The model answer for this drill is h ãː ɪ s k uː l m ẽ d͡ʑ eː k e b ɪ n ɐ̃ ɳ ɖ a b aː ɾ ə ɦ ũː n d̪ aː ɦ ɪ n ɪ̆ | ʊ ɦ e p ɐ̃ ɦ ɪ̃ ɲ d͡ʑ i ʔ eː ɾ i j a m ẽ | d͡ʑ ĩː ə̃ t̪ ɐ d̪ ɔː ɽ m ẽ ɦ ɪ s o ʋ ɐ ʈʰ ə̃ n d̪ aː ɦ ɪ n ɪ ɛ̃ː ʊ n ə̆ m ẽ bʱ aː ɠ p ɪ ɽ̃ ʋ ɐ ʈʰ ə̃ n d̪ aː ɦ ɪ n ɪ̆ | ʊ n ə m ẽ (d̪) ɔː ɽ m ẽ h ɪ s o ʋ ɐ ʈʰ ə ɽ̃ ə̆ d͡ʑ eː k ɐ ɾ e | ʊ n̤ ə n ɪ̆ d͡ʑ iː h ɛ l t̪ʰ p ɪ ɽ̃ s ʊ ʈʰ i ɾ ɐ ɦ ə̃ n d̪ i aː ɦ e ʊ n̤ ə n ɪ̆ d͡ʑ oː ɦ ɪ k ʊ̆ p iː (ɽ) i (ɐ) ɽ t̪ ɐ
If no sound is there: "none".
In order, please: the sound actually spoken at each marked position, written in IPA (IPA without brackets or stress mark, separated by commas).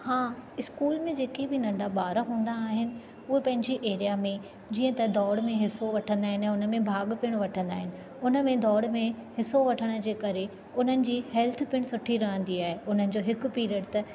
d̪, ɾ, ə